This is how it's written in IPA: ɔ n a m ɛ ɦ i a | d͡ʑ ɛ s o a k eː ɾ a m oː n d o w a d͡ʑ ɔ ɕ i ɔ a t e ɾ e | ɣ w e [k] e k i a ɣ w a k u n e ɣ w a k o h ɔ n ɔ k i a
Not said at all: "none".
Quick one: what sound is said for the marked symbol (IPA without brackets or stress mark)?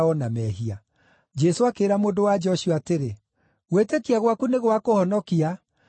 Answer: t